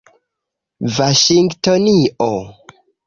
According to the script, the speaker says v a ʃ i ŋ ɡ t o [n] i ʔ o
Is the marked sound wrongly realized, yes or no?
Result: no